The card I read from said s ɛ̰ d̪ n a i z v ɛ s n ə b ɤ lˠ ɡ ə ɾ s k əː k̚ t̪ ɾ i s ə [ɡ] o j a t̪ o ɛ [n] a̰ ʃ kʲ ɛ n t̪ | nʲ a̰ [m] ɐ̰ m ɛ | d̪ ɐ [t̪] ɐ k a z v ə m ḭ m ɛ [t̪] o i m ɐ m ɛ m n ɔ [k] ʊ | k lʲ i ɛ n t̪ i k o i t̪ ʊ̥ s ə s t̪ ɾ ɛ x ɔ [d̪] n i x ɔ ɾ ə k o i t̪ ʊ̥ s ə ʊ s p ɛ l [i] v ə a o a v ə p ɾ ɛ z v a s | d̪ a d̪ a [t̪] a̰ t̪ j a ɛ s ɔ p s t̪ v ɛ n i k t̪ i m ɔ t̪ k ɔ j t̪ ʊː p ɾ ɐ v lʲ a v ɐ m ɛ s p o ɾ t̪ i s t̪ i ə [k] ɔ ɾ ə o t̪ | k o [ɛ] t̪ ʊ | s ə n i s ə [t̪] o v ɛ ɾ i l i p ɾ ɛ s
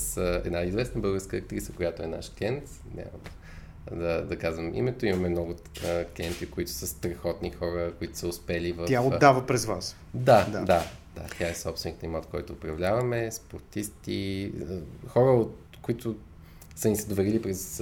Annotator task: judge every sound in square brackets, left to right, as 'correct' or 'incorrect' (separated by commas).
incorrect, correct, correct, incorrect, correct, incorrect, incorrect, correct, incorrect, incorrect, incorrect, incorrect